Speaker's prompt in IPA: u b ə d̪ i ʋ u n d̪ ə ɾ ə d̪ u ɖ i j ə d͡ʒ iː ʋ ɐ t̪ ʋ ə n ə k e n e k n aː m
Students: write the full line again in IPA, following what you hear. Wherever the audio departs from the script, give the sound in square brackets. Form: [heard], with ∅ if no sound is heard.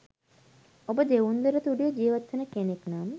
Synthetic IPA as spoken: [o] b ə d̪ [e] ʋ u n d̪ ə ɾ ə [t̪] u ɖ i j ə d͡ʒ iː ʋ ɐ t̪ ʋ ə n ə k e n e k n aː m